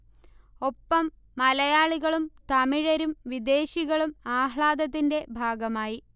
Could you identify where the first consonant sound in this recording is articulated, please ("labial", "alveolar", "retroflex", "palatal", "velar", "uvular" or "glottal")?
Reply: labial